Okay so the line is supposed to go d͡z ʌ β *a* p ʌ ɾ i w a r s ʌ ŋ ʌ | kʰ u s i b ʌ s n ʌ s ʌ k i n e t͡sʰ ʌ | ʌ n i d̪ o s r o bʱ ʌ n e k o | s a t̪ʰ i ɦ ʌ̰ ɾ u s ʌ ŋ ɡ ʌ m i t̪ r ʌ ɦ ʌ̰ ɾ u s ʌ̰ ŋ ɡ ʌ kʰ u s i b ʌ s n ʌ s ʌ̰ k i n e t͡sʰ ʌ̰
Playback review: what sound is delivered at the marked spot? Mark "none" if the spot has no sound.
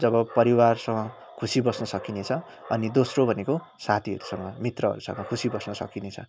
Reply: ʌ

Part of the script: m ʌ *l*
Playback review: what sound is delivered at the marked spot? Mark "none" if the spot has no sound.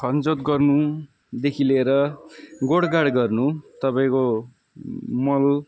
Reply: l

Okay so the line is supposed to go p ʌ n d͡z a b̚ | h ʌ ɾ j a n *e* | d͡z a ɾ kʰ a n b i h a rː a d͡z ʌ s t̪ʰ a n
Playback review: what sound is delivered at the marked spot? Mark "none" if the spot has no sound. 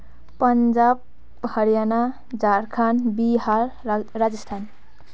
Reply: a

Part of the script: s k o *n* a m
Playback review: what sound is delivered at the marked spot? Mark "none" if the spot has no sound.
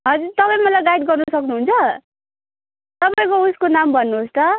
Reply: n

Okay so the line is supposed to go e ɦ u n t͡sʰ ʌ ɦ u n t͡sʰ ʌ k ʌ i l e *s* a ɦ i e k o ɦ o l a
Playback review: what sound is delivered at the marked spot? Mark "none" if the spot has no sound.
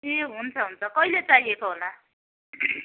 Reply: t͡s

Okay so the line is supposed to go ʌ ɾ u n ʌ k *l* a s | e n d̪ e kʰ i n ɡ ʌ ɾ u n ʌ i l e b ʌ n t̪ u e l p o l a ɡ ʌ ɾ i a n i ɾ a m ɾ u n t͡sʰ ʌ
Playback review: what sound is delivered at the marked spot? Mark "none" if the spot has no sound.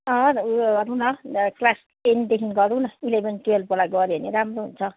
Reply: l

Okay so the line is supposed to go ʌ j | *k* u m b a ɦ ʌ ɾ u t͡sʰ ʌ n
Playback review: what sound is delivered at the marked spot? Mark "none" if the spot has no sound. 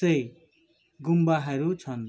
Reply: ɡ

